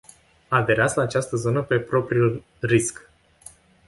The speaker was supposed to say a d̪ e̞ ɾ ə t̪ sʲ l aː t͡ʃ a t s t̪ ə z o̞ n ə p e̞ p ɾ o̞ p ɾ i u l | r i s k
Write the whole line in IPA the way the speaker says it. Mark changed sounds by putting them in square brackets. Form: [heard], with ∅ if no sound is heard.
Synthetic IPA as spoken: a d̪ e̞ ɾ [a] t̪ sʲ l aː t͡ʃ a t s t̪ ə z o̞ n ə p e̞ p ɾ o̞ p ɾ i u l | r i s k

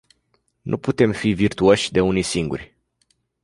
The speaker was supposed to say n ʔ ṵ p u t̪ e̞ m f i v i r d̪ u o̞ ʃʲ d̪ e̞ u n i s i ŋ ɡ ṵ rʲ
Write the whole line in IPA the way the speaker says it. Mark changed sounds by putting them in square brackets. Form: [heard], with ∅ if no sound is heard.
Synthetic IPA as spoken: n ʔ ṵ p u t̪ e̞ m f i v i r [t̪] u o̞ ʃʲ d̪ e̞ u n i s i ŋ ɡ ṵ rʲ

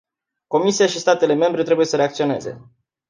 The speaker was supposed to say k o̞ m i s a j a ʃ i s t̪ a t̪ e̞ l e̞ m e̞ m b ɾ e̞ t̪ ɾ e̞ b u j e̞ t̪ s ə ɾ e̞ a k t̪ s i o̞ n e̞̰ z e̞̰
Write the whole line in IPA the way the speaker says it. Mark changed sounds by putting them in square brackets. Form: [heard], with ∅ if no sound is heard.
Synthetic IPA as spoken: k o̞ m i s [i] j a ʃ i s t̪ a t̪ e̞ l e̞ m e̞ m b ɾ e̞ t̪ ɾ e̞ b u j e̞ [∅] s ə ɾ e̞ a k t̪ s i o̞ n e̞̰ z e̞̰

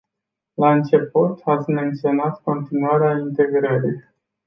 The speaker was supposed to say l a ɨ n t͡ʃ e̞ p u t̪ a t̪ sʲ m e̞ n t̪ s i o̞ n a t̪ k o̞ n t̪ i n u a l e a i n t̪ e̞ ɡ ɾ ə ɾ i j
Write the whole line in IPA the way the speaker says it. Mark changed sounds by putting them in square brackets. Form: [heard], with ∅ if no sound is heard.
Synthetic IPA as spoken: l a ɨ n t͡ʃ e̞ p u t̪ a t̪ sʲ m e̞ n t̪ s i o̞ n a t̪ k o̞ n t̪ i n u a [ɾ] e a i n t̪ e̞ ɡ ɾ ə ɾ i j

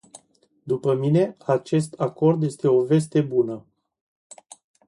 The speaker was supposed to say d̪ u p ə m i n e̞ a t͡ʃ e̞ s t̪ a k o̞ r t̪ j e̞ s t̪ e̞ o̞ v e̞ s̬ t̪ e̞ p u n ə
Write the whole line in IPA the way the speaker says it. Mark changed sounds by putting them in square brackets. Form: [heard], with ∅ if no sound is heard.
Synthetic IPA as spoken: d̪ u p ə m i n e̞ a t͡ʃ e̞ s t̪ a k o̞ r [d̪] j e̞ s t̪ e̞ o̞ v e̞ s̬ t̪ e̞ [b] u n ə

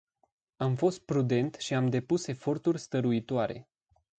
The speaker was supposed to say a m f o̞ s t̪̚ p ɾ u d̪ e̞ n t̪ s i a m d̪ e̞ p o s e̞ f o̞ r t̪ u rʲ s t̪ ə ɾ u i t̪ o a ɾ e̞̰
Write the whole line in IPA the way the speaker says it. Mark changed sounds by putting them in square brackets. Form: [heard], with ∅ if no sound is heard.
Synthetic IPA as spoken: a m f o̞ s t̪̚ p ɾ u d̪ e̞ n t̪ [ʃ] i a m d̪ e̞ p [u] s e̞ f o̞ r t̪ u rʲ s t̪ ə ɾ u i t̪ o a ɾ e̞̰

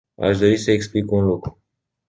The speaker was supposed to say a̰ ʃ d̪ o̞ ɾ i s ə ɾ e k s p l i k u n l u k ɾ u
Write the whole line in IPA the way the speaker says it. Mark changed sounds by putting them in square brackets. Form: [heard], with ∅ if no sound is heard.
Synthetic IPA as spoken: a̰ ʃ d̪ o̞ ɾ i s ə [∅] e k s p l i k u n l u k ɾ u

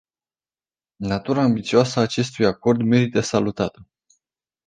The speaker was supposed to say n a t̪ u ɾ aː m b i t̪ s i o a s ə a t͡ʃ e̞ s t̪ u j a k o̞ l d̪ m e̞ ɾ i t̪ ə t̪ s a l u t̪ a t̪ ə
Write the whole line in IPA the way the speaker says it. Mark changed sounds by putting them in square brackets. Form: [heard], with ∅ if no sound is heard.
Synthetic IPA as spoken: n a t̪ u ɾ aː m b i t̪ s i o a s ə a t͡ʃ e̞ s t̪ u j a k o̞ [r] d̪ m e̞ ɾ i t̪ ə [∅] s a l u t̪ a t̪ ə

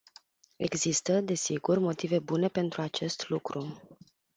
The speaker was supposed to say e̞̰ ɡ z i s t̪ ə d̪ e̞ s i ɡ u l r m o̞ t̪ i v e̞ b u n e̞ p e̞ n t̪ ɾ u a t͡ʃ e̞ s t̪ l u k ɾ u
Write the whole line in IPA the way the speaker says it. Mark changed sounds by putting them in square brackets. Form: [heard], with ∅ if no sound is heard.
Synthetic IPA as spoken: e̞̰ ɡ z i s t̪ ə d̪ e̞ s i ɡ u [∅] r m o̞ t̪ i v e̞ b u n e̞ p e̞ n t̪ ɾ u a t͡ʃ e̞ s t̪ l u k ɾ u

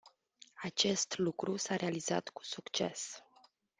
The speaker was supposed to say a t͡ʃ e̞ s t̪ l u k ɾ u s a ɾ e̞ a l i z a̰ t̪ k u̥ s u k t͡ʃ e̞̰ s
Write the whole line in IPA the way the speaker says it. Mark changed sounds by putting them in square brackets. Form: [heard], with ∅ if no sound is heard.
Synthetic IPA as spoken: a t͡ʃ e̞ s t̪ l u k ɾ u s a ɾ e̞ a l i z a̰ t̪ k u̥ s u k t͡ʃ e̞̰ s

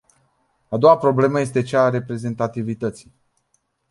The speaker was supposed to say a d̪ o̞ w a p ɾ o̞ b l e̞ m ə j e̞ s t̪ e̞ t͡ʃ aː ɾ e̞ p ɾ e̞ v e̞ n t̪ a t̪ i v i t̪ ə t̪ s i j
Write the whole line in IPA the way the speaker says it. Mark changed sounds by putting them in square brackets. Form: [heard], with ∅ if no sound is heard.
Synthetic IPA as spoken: a d̪ o̞ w a p ɾ o̞ b l e̞ m ə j e̞ s t̪ e̞ t͡ʃ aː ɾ e̞ p ɾ e̞ [z] e̞ n t̪ a t̪ i v i t̪ ə t̪ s i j

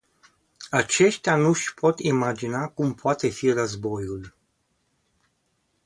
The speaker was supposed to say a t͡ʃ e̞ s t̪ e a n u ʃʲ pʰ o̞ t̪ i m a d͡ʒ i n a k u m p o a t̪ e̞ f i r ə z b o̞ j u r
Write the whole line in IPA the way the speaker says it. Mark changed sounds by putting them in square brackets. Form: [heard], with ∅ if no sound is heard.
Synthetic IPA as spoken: a t͡ʃ e̞ [ʃ] t̪ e a n u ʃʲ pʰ o̞ t̪ i m a d͡ʒ i n a k u m p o a t̪ e̞ f i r ə z b o̞ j u [l]

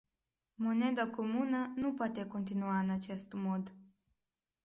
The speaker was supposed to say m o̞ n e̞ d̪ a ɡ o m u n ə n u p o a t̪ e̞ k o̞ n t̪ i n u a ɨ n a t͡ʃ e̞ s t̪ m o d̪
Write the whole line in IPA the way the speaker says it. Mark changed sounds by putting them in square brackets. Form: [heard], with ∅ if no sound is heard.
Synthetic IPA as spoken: m o̞ n e̞ d̪ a [k] o m u n ə n u p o a t̪ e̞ k o̞ n t̪ i n u a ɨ n a t͡ʃ e̞ s t̪ m o d̪

